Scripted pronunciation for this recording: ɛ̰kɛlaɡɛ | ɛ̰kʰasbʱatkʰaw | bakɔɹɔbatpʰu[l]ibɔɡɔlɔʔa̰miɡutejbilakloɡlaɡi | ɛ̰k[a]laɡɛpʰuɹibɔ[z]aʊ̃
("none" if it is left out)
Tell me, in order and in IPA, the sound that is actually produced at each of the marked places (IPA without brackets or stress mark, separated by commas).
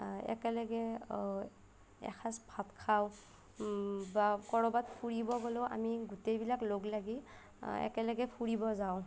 ɹ, ɛ, z